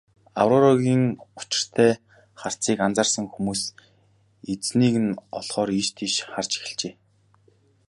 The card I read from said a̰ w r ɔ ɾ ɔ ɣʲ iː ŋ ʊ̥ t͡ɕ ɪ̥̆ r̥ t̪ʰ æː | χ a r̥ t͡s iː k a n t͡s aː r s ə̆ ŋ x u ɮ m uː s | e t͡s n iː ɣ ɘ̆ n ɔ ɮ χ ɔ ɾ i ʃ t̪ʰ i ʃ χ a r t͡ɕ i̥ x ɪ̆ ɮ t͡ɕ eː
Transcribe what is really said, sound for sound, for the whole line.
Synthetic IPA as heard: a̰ w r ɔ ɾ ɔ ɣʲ iː ŋ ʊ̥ t͡ɕ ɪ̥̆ r̥ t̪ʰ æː | χ a r̥ t͡s iː k a n t͡s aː r s ə̆ ŋ x u m uː s | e t͡s n iː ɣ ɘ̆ n ɔ ɮ χ ɔː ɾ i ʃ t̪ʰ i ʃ χ a r t͡ɕ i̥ x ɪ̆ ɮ t͡ɕ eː